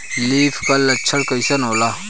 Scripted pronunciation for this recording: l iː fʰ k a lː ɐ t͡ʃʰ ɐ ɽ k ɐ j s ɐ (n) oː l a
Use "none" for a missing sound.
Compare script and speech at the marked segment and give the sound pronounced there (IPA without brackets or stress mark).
n